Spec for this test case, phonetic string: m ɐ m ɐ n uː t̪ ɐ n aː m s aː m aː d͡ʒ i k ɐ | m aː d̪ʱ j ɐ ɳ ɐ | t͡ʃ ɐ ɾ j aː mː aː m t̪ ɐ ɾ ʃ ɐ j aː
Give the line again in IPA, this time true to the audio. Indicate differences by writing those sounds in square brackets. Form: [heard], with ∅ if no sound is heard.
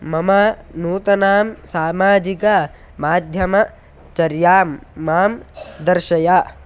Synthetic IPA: m ɐ m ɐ n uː t̪ ɐ n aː m s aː m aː d͡ʒ i k ɐ | m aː d̪ʱ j ɐ [m] ɐ | t͡ʃ ɐ ɾ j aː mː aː m [d̪] ɐ ɾ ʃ ɐ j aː